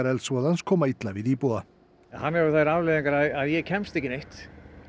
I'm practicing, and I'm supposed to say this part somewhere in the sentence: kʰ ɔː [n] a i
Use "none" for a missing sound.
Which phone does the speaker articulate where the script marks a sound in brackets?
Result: m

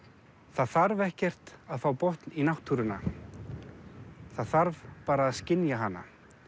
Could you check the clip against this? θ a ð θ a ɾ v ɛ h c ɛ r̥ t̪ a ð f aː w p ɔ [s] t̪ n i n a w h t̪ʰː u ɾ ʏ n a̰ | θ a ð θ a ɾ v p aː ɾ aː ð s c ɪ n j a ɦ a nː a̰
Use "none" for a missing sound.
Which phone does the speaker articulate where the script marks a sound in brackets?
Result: h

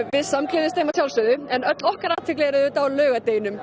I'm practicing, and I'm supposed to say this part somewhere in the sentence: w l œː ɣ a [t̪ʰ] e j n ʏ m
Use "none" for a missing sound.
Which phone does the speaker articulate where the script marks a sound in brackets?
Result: t̪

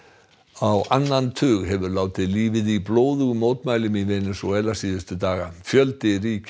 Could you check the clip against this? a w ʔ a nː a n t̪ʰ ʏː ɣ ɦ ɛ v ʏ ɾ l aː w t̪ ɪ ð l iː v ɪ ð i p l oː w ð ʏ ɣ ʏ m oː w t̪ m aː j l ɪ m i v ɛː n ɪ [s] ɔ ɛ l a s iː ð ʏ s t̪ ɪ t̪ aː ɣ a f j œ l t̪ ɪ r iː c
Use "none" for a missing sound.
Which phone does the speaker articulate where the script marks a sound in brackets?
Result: s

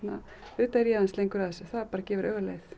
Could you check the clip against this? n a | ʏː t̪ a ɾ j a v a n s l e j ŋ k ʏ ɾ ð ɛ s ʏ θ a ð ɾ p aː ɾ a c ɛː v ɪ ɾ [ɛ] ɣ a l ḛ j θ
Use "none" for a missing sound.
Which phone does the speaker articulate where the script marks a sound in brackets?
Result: œ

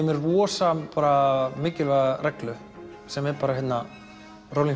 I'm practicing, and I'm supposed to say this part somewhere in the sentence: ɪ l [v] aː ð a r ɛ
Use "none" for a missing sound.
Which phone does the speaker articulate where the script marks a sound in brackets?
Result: v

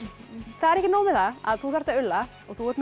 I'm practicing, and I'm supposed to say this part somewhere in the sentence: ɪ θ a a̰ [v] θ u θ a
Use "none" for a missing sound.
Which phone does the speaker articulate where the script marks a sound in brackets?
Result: ð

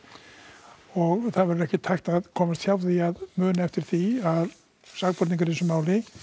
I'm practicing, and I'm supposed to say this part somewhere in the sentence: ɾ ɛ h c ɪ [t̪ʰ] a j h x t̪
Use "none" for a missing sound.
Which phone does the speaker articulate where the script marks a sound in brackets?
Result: t̪ʰ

